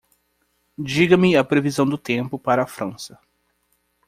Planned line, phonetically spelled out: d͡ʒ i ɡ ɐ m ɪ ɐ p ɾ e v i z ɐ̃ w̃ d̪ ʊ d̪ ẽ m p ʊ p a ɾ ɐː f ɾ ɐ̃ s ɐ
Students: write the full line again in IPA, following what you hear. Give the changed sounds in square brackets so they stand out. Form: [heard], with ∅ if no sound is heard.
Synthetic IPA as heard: d͡ʒ i ɡ ɐ m ɪ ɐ p ɾ e v i z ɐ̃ w̃ d̪ ʊ [t̪] ẽ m p ʊ p a ɾ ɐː f ɾ ɐ̃ s ɐ